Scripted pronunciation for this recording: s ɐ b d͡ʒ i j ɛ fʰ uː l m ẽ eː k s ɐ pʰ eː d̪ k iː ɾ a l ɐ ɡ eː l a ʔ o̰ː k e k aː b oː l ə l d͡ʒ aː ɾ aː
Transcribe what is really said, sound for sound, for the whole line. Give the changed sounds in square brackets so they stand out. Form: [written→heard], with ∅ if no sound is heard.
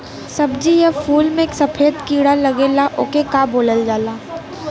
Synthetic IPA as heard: s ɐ b d͡ʒ i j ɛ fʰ uː l m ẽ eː k s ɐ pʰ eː d̪ k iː [ɾ→ɽ] a l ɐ ɡ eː l a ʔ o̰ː k e k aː b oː l ə l d͡ʒ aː [ɾ→l] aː